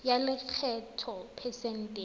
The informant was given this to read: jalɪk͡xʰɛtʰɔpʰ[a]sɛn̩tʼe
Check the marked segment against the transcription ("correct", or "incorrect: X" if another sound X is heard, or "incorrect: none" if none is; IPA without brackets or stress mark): incorrect: ɛ